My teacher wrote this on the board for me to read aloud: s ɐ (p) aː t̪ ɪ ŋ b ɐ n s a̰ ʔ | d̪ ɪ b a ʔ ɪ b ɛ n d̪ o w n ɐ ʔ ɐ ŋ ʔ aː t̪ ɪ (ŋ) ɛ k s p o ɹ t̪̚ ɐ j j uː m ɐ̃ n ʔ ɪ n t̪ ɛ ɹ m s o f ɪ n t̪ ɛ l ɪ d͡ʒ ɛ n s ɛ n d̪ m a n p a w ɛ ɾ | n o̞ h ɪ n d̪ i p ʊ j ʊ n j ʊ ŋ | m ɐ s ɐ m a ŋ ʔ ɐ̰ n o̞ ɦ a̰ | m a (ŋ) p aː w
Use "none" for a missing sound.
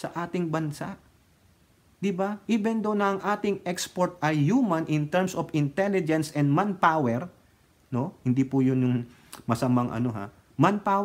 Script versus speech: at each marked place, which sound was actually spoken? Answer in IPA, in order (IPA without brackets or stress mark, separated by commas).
ʔ, ŋ, n